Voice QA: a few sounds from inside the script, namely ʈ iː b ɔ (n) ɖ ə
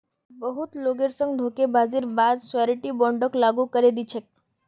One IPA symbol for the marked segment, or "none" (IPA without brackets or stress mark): ɳ